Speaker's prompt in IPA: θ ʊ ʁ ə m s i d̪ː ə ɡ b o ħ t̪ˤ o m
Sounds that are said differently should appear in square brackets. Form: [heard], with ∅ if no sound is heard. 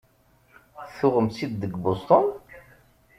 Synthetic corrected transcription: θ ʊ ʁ ə m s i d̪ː ə ɡ b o [s] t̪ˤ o [n]